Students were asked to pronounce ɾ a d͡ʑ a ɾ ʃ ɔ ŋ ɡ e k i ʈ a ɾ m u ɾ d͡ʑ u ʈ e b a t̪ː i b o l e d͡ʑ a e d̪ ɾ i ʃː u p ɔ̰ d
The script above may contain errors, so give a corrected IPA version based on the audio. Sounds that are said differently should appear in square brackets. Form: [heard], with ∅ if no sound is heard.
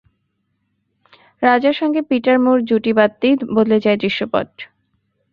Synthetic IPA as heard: ɾ a d͡ʑ a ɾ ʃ ɔ ŋ ɡ e [p] i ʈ a ɾ m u ɾ d͡ʑ u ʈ [i] b a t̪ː i b o l e d͡ʑ a e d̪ ɾ i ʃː [o] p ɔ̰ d